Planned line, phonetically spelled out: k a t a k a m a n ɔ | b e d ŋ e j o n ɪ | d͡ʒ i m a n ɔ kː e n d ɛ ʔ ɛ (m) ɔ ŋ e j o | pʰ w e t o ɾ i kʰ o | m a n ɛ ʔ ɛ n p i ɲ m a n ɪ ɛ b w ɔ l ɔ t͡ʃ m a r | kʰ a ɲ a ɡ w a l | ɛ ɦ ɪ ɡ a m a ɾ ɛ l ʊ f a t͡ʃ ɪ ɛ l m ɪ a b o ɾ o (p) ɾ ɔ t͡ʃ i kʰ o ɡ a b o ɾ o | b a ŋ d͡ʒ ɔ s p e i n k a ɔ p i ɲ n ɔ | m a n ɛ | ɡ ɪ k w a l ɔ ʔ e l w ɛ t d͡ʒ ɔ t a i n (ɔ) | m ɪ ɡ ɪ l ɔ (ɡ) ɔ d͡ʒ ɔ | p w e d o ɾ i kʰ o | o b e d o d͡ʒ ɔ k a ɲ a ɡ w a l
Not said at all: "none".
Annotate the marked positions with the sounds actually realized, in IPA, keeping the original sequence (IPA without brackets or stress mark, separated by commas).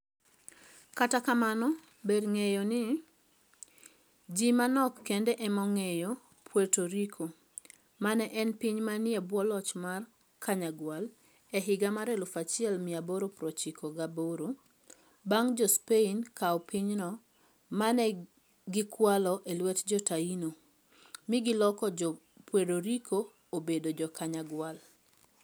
m, p, o, k